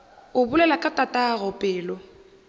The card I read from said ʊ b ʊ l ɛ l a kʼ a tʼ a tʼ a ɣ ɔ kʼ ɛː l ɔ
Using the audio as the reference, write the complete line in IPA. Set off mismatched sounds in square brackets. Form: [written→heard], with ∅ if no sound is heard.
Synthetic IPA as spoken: ʊ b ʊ l ɛ l a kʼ a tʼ a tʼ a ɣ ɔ [kʼ→pʼ] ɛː l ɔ